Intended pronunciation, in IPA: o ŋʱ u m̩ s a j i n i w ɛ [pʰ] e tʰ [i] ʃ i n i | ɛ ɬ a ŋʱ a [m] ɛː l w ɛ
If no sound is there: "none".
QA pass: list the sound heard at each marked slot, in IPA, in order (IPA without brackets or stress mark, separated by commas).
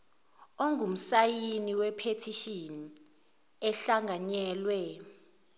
pʰ, i, ɲ